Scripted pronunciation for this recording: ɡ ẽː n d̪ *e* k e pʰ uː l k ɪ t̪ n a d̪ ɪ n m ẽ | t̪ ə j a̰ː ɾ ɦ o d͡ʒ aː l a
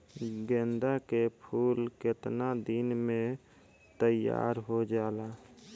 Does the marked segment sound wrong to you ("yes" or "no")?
yes